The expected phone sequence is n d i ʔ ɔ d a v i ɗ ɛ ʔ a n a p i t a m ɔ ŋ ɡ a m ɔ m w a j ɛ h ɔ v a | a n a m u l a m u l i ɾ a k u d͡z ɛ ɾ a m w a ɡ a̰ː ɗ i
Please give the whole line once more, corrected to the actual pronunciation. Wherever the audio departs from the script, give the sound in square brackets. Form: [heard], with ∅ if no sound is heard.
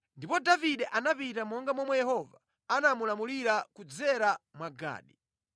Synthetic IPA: n d i [p] ɔ d a v i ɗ ɛ ʔ a n a p i t a m ɔ ŋ ɡ a m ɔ m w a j ɛ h ɔ v a | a n a m u l a m u l i ɾ a k u d͡z ɛ ɾ a m w a ɡ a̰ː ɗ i